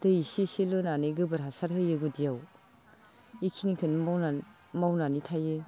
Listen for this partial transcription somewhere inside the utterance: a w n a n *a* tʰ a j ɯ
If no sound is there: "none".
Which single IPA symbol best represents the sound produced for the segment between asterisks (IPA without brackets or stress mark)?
i